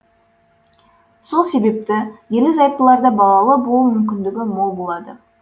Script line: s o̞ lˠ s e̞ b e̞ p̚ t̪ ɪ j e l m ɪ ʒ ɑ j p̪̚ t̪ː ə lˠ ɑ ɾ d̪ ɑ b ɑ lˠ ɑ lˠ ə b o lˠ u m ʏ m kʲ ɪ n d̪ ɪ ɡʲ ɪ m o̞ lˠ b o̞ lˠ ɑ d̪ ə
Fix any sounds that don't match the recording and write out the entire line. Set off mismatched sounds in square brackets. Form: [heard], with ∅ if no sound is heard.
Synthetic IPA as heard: s o̞ lˠ s e̞ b e̞ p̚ t̪ ɪ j e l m ɪ [z] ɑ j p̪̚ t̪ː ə lˠ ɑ ɾ d̪ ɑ b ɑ lˠ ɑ lˠ ə b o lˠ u m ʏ m kʲ ɪ n d̪ ɪ ɡʲ ɪ m o̞ lˠ b o̞ lˠ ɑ d̪ ə